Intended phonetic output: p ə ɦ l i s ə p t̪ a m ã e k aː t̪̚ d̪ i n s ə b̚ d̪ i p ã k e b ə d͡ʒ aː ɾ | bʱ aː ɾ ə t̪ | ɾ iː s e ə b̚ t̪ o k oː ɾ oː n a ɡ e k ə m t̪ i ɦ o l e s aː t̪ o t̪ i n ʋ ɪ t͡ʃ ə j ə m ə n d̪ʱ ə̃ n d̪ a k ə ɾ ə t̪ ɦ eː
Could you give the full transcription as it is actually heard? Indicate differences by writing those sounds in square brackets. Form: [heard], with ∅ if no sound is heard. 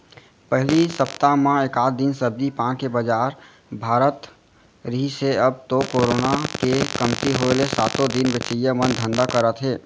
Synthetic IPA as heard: p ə ɦ l i s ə p t̪ a m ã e k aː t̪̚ d̪ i n s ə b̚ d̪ i p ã k e b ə d͡ʒ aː ɾ | bʱ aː ɾ ə t̪ | ɾ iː s e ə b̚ t̪ o k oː ɾ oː n a [k] e k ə m t̪ i ɦ o l e s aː t̪ o [d̪] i n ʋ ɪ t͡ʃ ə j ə m ə n d̪ʱ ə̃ n d̪ a k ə ɾ ə t̪ ɦ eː